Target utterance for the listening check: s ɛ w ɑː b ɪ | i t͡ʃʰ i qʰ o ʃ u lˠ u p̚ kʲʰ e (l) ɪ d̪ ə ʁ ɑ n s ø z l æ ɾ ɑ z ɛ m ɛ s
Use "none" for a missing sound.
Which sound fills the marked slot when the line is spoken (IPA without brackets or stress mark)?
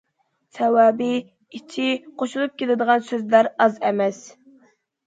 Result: l